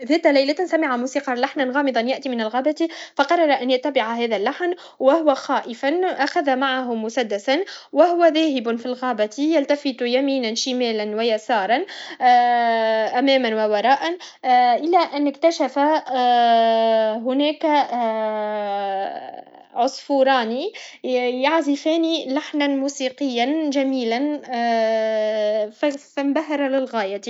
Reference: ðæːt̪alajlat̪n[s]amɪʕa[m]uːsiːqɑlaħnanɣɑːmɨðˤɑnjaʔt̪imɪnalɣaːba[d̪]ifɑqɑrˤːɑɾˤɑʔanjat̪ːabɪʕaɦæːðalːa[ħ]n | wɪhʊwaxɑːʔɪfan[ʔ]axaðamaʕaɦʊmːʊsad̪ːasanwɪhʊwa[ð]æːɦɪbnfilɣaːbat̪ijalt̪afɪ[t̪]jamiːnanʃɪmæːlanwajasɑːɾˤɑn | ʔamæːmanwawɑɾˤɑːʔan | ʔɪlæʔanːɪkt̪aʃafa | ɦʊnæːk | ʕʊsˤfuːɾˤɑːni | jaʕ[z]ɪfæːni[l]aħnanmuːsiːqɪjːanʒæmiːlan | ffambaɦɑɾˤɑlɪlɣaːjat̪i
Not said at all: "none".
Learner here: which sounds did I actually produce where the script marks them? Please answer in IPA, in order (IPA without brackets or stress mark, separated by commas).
s, m, t̪, ħ, ʔ, ð, t̪, z, l